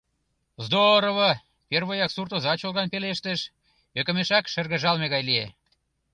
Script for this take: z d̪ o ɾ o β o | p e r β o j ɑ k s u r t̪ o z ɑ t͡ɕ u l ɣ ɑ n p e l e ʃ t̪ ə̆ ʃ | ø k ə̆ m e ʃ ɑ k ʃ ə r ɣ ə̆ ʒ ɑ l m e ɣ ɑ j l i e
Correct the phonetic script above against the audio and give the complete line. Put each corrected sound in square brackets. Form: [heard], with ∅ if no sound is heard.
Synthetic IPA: z d̪ o ɾ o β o | p e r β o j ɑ k s u r t̪ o z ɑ t͡ɕ [o] l ɣ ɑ n p e l e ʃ t̪ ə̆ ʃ | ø k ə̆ m e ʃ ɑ k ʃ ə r ɣ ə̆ ʒ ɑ l m e ɣ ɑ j l i e

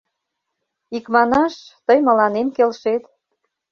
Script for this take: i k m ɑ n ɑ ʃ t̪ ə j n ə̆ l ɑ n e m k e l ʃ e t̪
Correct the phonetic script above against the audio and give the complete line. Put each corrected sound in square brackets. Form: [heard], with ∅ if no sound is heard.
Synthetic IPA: i k m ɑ n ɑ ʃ t̪ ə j [m] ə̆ l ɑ n e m k e l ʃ e t̪

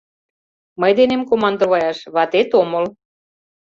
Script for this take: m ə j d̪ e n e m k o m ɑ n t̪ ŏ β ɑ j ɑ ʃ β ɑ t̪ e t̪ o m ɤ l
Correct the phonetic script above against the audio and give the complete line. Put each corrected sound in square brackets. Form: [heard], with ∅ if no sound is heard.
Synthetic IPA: m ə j d̪ e n e m k o m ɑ n [d̪] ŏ β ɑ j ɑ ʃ β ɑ t̪ e t̪ o m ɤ l

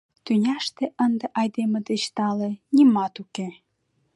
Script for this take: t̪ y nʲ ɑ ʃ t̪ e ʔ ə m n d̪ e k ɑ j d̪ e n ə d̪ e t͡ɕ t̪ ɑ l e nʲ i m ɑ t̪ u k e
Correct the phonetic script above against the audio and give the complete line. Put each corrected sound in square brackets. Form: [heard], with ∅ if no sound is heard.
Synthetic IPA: t̪ y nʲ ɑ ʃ t̪ e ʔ ə [∅] n d̪ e [ʔ] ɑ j d̪ e [m] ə d̪ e t͡ɕ t̪ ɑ l e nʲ i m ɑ t̪ u k e

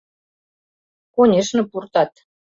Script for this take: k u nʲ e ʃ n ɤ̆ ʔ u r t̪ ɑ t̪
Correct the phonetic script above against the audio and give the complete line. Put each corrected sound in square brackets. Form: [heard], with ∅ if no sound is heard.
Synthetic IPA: k [o] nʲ e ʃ n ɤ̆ [p] u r t̪ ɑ t̪

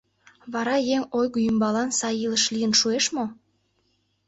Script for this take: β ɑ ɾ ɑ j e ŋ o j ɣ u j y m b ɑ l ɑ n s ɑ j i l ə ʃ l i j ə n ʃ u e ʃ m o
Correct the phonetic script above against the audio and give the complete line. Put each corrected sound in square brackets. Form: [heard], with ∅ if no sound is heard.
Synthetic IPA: β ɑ ɾ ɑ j e ŋ o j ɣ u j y m b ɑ l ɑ n s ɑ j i l ə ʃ l i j ə n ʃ u e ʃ m o

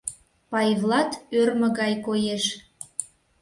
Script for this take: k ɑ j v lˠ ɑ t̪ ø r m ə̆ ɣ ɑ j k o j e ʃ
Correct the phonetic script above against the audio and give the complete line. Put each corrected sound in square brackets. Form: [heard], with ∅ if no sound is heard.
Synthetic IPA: [p] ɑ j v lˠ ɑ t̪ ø r m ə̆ ɣ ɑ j k o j e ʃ

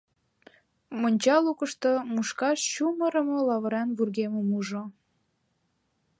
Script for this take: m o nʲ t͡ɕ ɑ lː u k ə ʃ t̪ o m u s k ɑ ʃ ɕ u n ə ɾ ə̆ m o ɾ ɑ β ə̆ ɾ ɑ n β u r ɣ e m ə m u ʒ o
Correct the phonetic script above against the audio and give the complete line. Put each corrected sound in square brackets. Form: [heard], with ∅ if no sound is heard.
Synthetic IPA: m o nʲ t͡ɕ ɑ [l] u k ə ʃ t̪ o m u [ʃ] k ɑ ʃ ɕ u [m] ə ɾ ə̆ m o [l] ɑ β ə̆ ɾ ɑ n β u r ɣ e m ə m u ʒ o

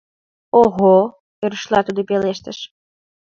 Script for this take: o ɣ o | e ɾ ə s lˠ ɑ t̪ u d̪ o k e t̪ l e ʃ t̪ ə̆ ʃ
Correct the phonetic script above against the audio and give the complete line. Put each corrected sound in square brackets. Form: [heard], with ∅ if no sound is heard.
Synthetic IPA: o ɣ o | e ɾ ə [ʃ] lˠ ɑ t̪ u d̪ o [p] e [∅] l e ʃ t̪ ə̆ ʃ

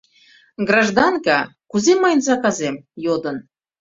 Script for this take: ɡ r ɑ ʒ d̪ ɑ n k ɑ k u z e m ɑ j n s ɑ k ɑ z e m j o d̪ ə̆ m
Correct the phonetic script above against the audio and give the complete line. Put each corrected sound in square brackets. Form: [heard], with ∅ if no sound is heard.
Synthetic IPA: ɡ r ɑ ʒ d̪ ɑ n k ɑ k u z e m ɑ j n [z] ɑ k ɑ z e m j o d̪ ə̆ [n]

